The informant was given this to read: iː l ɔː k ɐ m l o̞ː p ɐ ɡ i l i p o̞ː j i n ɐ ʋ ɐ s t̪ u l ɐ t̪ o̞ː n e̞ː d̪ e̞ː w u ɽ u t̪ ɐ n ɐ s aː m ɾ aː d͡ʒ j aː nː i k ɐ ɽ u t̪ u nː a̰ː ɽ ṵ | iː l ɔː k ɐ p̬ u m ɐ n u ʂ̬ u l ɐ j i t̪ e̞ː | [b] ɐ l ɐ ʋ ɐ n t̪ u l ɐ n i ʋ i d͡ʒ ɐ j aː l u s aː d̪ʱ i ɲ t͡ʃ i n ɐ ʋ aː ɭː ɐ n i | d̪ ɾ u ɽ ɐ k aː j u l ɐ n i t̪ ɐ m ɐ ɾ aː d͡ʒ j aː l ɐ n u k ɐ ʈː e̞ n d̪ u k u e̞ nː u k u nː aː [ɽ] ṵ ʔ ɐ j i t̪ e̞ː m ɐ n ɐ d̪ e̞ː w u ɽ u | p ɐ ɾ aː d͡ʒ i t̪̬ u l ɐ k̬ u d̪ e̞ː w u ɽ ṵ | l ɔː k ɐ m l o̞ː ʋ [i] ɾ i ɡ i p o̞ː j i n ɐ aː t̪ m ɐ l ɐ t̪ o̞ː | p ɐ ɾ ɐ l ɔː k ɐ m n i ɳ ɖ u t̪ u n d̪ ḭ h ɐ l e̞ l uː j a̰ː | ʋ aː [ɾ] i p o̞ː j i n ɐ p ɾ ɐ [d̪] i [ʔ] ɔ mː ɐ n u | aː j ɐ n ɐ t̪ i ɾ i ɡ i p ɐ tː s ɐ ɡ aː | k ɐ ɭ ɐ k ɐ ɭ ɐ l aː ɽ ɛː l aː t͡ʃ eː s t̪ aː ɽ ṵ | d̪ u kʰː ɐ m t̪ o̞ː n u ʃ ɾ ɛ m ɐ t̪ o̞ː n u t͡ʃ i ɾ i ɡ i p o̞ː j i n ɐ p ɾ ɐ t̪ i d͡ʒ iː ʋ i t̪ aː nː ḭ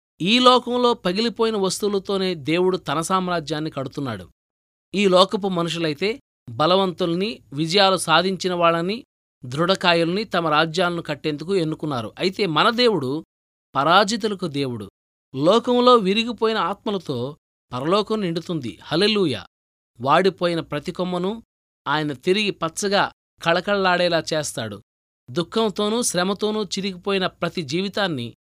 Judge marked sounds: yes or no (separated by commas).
yes, no, yes, no, no, no